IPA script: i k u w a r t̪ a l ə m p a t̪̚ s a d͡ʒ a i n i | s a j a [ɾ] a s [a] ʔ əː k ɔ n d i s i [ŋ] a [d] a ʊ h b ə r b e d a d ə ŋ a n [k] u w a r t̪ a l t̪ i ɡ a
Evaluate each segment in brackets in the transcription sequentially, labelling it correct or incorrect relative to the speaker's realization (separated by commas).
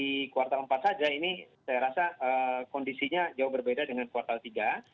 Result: correct, correct, incorrect, incorrect, correct